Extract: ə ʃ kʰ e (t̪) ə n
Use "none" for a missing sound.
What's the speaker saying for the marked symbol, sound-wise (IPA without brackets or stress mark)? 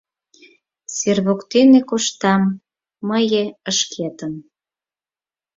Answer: t̪